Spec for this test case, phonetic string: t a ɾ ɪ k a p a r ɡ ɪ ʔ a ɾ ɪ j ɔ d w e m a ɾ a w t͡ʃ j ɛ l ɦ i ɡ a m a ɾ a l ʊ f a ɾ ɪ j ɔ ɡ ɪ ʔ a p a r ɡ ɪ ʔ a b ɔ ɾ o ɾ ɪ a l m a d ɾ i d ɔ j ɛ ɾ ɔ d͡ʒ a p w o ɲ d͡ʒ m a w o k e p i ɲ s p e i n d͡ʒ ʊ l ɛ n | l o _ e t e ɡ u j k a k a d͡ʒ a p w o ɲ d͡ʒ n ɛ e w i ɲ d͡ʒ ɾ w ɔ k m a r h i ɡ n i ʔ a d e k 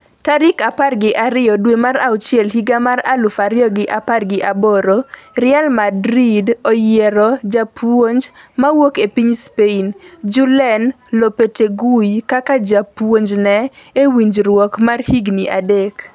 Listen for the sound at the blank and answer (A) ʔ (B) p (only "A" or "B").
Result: B